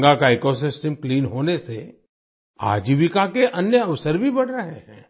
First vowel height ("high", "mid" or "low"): low